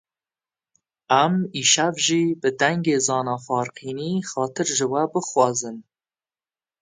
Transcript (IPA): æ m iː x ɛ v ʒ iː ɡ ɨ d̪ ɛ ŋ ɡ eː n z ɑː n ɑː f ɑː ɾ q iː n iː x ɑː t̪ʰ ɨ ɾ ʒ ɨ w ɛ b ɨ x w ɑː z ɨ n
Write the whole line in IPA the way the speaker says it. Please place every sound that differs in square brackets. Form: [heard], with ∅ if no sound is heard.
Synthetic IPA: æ m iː [ʃ] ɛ v ʒ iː [b] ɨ d̪ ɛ ŋ ɡ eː [∅] z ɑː n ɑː f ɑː ɾ q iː n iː x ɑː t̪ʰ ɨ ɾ ʒ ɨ w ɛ b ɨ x w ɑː z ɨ n

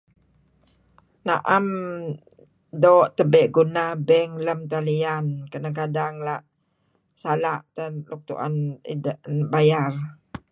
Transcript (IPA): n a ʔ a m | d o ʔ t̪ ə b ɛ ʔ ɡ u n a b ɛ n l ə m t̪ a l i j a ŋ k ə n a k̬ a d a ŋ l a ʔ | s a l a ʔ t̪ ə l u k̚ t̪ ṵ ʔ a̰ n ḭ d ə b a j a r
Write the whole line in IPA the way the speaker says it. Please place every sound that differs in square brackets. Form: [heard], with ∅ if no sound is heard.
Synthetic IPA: n a ʔ a m | d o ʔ t̪ ə b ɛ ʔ ɡ u n a b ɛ [ŋ] l ə m t̪ a l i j a [n] k ə n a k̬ a d a ŋ l a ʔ | s a l a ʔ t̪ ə l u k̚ t̪ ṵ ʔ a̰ n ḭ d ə b a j a r

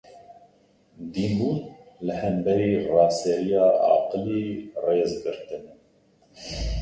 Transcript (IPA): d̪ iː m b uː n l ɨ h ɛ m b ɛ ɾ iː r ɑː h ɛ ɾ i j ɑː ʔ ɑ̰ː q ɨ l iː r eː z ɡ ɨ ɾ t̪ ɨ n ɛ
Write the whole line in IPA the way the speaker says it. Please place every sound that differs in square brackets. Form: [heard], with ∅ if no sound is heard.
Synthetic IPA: d̪ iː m b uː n l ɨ h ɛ m b ɛ ɾ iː r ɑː [s] ɛ ɾ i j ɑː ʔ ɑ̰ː q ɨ l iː r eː z ɡ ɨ ɾ t̪ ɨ n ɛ

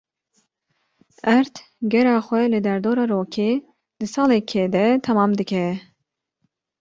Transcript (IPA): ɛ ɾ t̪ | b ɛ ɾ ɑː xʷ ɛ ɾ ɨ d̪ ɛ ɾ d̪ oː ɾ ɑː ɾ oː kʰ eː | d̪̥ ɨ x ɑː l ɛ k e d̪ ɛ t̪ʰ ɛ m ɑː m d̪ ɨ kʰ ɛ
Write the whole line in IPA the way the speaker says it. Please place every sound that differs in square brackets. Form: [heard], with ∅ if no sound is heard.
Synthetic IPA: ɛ ɾ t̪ | [ɡ] ɛ ɾ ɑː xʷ ɛ [l] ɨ d̪ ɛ ɾ d̪ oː ɾ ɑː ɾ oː kʰ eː | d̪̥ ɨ [s] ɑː l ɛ [kʰ] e d̪ ɛ t̪ʰ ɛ m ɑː m d̪ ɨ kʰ ɛ

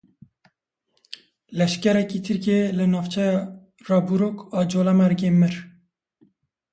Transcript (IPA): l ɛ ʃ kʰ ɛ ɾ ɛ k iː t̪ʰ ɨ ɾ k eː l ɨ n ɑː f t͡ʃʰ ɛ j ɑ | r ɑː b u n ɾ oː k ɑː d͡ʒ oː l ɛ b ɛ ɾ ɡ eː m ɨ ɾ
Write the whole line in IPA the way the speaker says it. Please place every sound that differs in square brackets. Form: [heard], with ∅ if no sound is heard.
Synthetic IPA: l ɛ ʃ [k] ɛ ɾ ɛ k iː t̪ʰ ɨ ɾ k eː l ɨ n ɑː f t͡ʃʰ ɛ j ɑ | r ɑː b u [∅] ɾ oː k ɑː d͡ʒ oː l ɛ [m] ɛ ɾ ɡ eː m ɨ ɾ

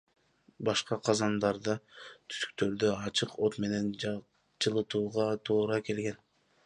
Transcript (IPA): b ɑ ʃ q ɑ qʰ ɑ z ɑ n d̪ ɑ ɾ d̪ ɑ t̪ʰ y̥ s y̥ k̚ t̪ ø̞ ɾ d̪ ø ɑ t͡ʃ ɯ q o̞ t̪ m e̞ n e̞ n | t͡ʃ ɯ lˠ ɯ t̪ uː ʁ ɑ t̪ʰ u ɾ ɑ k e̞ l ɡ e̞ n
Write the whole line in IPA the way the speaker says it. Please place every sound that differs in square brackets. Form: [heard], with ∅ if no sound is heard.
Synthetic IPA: b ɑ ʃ q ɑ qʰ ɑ z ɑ n d̪ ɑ ɾ d̪ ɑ t̪ʰ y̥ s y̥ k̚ t̪ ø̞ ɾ d̪ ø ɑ t͡ʃ ɯ q o̞ t̪ m e̞ n e̞ n | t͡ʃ ɯ lˠ ɯ t̪ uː ʁ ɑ t̪ʰ [uː] ɾ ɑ k e̞ l ɡ e̞ n

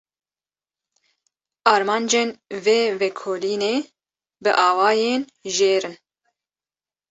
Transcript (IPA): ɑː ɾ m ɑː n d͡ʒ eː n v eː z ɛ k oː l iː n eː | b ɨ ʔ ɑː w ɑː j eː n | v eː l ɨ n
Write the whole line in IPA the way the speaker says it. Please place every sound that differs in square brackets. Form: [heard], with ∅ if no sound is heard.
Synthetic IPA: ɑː ɾ m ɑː n d͡ʒ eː n v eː [v] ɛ [kʰ] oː l iː n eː | b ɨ ʔ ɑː w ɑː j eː n | [ʒ] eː [ɾ] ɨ n

